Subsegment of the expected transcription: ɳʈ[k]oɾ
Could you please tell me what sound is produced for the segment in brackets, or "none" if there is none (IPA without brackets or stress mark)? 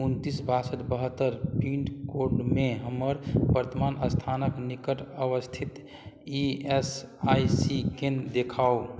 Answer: k